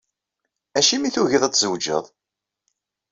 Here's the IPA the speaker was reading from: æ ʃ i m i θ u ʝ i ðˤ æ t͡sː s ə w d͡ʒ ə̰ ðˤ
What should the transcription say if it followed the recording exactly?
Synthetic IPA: æ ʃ i m i θ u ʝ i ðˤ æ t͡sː z ə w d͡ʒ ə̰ ðˤ

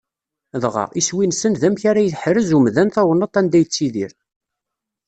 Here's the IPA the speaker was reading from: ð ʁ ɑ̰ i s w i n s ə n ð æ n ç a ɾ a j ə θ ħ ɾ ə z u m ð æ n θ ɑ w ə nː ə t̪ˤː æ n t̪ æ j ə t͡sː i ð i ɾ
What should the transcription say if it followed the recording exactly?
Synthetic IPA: ð ʁ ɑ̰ i s w i n s ə n ð æ m ç a ɾ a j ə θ ħ ɾ ə z u m ð æ n θ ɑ w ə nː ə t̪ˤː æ n d̪ æ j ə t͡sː i ð i ɾ

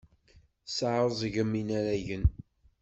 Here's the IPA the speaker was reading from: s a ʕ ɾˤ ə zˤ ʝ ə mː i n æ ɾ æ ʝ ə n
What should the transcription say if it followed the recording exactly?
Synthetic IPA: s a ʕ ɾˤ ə zˤ ʝ ə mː i n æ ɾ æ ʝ ə n

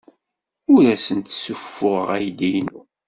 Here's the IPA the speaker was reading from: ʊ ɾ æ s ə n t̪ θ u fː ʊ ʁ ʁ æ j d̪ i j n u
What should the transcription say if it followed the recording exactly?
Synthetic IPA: ʊ ɾ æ s ə n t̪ s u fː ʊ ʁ ʁ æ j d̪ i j n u

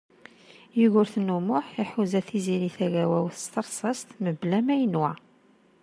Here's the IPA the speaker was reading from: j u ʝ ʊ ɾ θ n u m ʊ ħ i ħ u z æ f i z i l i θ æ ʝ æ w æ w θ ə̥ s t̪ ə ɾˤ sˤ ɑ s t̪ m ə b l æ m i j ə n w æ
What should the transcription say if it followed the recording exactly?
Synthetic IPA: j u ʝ ʊ ɾ θ n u m ʊ ħ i ħ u z æ θ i z i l i θ æ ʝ æ w æ w θ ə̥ s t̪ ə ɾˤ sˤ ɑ s t̪ m ə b l æ m æ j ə n w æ

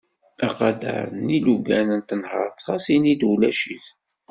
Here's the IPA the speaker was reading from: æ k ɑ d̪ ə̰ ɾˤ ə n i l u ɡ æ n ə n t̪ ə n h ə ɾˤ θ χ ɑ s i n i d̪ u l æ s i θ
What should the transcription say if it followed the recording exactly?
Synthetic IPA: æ q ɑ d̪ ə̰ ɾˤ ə n i l u ɡ æ n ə n t̪ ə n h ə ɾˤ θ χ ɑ s i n i d̪ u l æ ʃ i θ

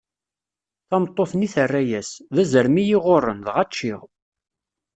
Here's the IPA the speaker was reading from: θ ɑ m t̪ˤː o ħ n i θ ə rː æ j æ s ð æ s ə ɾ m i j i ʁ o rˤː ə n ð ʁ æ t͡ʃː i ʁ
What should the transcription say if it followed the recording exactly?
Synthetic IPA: θ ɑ m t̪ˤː o θ n i θ ə rː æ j æ s ð æ z ə ɾ m i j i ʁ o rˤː ə n ð ʁ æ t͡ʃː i ʁ

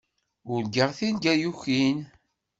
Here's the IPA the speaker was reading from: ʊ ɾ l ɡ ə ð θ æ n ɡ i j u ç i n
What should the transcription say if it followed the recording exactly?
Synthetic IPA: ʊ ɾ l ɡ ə ʁ θ i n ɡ æ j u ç i n

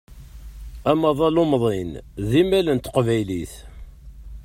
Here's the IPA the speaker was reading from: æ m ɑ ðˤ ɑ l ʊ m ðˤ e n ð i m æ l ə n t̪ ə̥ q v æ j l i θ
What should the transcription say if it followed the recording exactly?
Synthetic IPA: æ m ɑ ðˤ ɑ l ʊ m ðˤ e n ð i m æ l ə n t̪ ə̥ q v æ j l i θ

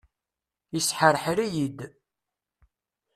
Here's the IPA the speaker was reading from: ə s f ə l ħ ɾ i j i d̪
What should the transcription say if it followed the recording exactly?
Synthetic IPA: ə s ħ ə ɾ ħ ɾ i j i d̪

